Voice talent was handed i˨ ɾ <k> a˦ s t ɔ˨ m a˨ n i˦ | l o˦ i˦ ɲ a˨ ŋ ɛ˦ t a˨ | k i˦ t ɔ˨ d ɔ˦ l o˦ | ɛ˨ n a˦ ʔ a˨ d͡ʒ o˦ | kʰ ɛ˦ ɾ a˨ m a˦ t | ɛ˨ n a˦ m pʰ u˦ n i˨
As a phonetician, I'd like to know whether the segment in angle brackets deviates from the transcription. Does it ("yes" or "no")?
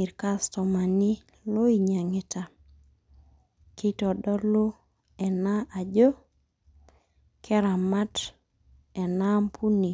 no